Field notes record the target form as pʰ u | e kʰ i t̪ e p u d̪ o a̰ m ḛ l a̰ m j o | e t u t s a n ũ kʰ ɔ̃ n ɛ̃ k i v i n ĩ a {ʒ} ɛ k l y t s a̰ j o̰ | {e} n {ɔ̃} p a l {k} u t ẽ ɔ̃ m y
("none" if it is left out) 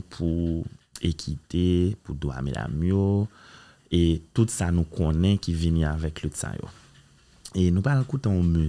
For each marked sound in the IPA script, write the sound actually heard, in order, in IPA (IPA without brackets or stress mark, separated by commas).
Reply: v, e, ũ, k